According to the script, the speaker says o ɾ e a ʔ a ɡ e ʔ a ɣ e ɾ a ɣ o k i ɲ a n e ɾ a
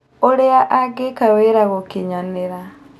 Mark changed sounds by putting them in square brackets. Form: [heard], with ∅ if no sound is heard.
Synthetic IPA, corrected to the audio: o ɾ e a ʔ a ɡ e [k] a [w] e ɾ a ɣ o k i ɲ a n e ɾ a